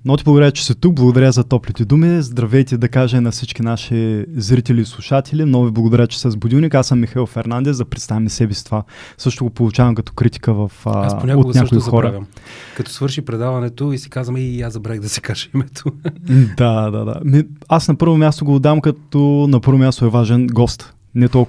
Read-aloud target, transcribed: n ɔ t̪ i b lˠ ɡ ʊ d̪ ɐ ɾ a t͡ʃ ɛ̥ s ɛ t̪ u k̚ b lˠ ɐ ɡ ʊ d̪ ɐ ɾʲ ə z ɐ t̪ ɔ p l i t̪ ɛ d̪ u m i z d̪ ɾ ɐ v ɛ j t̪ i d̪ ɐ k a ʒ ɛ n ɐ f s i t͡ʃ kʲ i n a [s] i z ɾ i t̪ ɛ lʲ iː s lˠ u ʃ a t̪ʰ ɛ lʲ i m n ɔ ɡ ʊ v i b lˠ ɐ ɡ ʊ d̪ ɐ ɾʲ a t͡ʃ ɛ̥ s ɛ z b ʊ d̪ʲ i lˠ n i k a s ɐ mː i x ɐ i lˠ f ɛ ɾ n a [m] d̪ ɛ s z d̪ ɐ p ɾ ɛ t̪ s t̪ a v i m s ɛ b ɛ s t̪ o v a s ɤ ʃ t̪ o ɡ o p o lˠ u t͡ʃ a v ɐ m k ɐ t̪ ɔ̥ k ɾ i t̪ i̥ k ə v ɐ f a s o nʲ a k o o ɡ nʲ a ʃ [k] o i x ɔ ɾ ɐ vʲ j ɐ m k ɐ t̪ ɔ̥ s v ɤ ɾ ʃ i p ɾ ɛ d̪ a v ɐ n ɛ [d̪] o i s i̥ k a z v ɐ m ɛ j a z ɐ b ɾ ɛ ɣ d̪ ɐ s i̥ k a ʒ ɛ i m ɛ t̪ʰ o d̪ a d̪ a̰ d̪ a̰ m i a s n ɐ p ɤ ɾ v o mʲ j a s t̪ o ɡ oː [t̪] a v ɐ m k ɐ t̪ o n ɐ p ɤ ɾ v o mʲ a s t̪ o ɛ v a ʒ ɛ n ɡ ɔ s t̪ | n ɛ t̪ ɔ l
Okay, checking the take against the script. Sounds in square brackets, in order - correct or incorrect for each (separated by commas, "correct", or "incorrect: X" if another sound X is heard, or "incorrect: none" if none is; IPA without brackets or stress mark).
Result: incorrect: ʃ, incorrect: n, correct, incorrect: t̪, incorrect: d̪